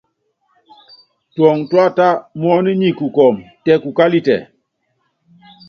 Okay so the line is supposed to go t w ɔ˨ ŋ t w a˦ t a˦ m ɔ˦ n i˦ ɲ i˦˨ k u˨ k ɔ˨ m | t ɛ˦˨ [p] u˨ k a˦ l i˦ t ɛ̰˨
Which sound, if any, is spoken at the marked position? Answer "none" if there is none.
k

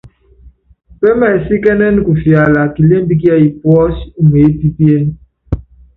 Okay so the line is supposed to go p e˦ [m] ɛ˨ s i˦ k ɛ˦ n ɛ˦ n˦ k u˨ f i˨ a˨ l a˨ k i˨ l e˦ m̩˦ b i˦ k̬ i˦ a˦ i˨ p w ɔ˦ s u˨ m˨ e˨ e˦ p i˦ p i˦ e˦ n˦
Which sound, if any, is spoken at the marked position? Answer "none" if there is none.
m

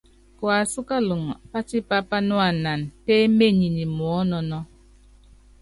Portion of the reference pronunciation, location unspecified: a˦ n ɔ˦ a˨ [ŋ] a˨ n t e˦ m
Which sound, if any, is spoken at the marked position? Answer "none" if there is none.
n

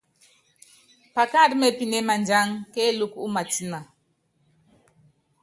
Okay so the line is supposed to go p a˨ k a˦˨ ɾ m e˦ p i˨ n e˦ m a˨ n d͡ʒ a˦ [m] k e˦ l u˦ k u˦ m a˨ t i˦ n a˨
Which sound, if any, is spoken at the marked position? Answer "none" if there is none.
ŋ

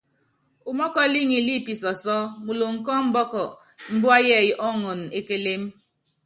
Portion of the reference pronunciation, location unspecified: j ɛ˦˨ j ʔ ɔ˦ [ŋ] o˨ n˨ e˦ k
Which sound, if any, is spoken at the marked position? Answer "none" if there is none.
ŋ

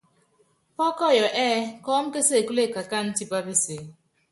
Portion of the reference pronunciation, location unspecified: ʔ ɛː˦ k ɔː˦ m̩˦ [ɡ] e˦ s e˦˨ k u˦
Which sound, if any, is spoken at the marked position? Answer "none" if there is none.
k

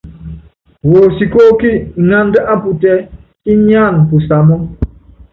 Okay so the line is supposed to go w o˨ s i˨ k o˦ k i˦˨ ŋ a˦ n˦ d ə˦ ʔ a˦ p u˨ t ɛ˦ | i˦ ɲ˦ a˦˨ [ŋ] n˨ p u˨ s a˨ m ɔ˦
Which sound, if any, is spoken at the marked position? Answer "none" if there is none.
none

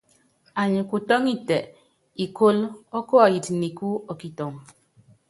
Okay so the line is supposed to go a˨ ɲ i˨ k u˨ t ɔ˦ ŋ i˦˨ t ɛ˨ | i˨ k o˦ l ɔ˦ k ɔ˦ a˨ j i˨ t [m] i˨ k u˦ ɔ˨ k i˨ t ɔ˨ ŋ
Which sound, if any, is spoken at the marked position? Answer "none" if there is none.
n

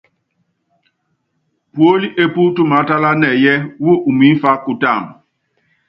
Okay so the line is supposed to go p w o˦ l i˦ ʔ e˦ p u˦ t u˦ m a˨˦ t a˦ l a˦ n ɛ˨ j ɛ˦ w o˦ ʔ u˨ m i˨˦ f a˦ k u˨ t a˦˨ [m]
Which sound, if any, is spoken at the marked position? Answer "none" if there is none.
m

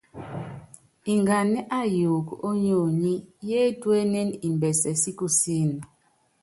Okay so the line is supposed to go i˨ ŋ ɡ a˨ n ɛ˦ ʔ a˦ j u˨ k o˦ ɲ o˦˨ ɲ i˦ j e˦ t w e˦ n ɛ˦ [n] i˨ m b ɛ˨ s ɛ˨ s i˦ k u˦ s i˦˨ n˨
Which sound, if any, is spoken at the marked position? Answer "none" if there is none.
n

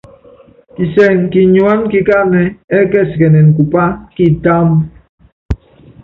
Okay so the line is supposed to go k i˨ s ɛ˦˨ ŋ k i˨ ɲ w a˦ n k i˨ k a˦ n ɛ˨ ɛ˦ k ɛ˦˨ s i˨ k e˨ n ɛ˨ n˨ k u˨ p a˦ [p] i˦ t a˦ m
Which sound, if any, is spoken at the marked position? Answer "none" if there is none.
k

